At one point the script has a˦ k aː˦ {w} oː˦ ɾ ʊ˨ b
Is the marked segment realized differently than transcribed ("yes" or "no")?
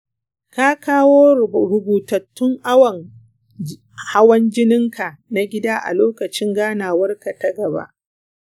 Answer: no